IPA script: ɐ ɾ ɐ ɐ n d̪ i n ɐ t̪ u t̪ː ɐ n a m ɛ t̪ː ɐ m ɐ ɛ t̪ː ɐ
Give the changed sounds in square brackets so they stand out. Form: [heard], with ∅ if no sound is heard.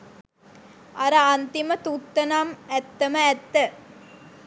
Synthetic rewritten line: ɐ ɾ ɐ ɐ n [t̪] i [m] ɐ t̪ u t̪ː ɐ n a m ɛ t̪ː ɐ m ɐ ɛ t̪ː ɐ